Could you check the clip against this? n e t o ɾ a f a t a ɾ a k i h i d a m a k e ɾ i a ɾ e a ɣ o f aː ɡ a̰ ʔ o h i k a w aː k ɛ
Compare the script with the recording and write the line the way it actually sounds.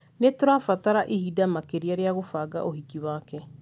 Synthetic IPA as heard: n e t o ɾ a f a t a ɾ a ʔ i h i d a m a k e ɾ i a ɾ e a ɣ o f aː ɡ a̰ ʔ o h i k i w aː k ɛ